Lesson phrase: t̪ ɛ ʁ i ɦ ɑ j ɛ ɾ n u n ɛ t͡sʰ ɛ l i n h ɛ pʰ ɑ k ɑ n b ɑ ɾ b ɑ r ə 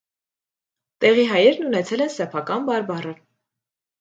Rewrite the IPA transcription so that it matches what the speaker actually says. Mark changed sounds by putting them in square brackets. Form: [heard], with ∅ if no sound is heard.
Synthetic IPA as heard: t̪ ɛ ʁ i ɦ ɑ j ɛ ɾ n u n ɛ t͡sʰ ɛ l [ɛ] n [s] ɛ pʰ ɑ k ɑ n b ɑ ɾ b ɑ r ə